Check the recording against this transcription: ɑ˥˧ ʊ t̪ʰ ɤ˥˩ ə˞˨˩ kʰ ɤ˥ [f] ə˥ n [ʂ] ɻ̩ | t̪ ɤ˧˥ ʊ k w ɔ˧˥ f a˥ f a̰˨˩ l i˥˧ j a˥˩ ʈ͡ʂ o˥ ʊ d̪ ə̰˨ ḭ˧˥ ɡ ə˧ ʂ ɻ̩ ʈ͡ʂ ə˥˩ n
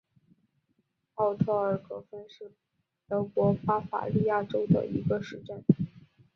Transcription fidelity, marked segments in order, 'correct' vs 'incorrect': correct, correct

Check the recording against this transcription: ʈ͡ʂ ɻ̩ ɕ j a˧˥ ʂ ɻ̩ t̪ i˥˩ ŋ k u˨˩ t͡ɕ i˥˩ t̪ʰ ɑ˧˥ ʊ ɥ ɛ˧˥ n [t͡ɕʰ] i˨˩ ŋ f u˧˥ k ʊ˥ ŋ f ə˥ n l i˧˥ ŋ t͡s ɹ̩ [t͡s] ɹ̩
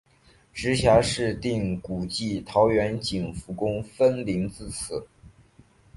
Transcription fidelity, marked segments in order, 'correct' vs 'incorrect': incorrect, incorrect

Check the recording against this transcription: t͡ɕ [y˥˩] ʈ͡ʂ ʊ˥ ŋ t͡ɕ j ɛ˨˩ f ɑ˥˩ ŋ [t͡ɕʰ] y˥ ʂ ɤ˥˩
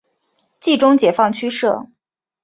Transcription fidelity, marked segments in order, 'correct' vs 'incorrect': incorrect, correct

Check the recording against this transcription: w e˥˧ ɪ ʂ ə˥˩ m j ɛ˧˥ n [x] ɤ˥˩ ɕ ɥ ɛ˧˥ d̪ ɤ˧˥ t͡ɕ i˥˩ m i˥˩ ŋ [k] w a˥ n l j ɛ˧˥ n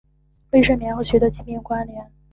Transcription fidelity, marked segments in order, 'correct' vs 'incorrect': correct, correct

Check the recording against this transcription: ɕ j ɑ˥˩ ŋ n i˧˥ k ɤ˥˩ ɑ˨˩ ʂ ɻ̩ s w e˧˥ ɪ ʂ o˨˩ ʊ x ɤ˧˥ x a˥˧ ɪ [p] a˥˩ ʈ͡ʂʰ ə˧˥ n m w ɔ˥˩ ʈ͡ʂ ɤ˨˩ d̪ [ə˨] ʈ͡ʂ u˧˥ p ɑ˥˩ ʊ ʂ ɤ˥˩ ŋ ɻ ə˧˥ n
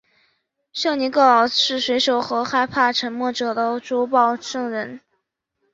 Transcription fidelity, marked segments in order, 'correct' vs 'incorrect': incorrect, incorrect

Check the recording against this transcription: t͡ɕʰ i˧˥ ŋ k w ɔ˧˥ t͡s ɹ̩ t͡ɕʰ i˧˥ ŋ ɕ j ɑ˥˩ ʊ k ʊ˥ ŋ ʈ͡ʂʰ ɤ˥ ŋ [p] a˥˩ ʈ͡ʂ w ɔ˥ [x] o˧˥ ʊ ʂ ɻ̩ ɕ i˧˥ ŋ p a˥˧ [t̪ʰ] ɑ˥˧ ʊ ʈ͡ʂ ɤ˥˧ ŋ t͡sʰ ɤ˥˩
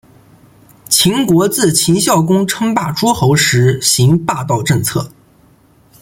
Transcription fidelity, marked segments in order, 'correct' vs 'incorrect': correct, correct, incorrect

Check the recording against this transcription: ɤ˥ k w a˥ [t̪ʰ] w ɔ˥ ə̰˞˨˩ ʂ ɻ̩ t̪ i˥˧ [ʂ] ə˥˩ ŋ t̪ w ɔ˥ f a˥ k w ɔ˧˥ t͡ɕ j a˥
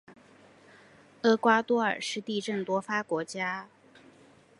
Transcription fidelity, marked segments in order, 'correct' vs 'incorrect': incorrect, incorrect

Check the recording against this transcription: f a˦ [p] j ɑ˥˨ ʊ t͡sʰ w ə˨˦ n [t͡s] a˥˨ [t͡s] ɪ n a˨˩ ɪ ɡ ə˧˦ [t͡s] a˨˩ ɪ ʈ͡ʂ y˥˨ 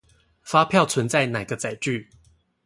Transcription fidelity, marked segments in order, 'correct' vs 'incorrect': incorrect, correct, incorrect, correct

